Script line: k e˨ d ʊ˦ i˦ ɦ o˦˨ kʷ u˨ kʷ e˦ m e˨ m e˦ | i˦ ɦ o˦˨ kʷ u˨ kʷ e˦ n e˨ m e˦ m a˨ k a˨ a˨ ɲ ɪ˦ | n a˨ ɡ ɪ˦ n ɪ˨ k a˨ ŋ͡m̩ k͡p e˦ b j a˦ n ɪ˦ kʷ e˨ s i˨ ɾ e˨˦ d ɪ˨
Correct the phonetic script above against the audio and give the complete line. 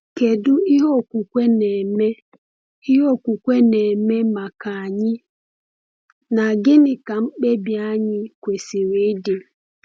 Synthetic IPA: k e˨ d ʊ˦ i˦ ɦ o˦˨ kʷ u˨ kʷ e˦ n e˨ m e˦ | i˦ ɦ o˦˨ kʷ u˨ kʷ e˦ n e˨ m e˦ m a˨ k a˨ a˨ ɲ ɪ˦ | n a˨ ɡ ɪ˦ n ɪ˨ k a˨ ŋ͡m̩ k͡p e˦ b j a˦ ɲ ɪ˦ kʷ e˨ s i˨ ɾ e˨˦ d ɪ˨

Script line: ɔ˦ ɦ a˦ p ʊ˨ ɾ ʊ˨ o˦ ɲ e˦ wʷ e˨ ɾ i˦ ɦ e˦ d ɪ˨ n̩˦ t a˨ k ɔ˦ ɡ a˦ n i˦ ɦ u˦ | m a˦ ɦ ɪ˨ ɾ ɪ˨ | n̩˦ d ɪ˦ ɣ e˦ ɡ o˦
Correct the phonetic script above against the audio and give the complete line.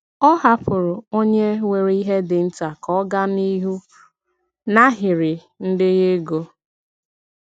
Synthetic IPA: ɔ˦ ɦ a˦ p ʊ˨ ɾ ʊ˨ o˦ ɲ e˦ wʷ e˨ ɾ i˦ ɦ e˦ d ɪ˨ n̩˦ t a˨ k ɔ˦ ɡ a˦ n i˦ ɦ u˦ | n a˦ ɦ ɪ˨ ɾ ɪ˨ | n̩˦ d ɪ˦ ɣ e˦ ɡ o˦

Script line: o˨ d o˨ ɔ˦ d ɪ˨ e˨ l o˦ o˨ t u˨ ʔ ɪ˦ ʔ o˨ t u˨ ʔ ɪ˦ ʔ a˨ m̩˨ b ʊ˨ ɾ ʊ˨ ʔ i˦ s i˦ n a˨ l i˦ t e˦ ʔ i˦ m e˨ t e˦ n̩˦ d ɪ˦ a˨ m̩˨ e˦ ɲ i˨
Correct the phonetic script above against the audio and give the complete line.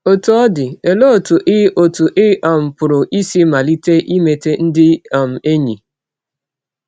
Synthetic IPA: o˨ t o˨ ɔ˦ d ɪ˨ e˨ l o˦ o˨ t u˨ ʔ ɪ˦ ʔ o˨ t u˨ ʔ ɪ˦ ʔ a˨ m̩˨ p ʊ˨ ɾ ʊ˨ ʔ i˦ s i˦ m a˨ l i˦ t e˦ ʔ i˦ m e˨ t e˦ n̩˦ d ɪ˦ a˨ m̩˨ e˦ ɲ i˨

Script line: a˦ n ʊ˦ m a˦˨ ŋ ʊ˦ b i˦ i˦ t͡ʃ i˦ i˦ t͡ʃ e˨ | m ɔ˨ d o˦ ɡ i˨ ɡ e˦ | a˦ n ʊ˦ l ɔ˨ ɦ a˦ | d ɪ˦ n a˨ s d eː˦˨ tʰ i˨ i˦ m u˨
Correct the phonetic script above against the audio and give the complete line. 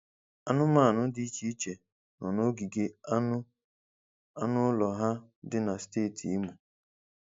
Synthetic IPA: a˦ n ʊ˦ m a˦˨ n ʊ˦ d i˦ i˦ t͡ʃ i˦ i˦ t͡ʃ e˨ | n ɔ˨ n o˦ ɡ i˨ ɡ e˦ | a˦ n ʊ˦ l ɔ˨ ɦ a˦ | d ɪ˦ n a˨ s t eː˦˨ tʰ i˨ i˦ m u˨

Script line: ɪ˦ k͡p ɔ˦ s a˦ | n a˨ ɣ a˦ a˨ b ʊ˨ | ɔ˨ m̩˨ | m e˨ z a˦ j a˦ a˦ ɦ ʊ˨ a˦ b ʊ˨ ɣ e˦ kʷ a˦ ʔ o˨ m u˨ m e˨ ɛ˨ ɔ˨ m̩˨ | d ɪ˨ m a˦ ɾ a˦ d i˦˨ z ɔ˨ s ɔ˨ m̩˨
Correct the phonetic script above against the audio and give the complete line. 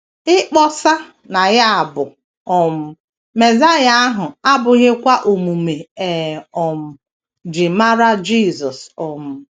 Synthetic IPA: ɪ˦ k͡p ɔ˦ s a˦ | n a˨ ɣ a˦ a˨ b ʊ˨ | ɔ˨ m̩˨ | m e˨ z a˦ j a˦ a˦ ɦ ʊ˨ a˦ b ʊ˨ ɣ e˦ kʷ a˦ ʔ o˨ m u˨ m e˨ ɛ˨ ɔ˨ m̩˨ | d͡ʒ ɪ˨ m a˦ ɾ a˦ d͡ʒ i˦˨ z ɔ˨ s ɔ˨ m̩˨

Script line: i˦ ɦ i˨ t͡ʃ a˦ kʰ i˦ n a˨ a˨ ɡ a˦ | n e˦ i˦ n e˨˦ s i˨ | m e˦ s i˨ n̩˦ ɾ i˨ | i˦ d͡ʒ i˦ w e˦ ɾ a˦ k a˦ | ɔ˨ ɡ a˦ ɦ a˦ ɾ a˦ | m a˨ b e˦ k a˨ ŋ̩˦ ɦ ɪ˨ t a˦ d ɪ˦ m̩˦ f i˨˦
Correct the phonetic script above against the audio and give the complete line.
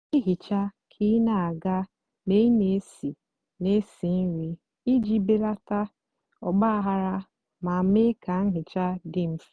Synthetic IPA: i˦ ɦ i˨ t͡ʃ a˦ kʰ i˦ n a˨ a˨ ɡ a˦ | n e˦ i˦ n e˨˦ s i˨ | n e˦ s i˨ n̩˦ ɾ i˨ | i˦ d͡ʒ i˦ b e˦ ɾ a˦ t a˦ | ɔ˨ ɡ͡b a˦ ɦ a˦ ɾ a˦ | m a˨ m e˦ k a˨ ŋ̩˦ ɦ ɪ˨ t͡ʃ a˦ d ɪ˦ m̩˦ f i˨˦

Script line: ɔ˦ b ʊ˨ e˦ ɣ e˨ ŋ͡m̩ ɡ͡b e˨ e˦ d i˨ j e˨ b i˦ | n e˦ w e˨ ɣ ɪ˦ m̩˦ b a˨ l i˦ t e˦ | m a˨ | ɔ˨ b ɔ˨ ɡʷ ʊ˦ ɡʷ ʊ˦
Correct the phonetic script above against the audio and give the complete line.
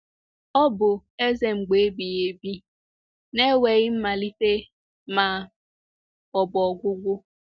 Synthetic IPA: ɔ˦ b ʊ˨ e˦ z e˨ ŋ͡m̩ ɡ͡b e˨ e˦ b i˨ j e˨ b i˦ | n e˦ w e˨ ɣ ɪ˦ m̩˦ m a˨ l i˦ t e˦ | m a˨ | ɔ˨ b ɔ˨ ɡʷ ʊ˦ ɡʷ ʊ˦

